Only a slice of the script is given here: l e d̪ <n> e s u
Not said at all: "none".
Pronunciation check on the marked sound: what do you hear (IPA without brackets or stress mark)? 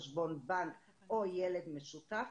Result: m